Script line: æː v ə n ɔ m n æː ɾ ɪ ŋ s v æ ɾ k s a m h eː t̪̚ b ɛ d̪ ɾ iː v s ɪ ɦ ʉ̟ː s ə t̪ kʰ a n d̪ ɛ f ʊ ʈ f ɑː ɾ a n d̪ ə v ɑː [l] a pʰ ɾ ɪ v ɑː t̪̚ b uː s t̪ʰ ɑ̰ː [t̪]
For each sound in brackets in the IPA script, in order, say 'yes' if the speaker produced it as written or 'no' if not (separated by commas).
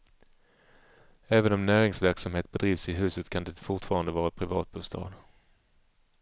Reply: no, no